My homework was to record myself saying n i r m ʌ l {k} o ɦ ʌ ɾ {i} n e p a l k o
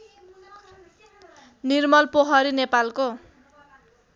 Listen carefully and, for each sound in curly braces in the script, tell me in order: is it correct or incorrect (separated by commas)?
incorrect, correct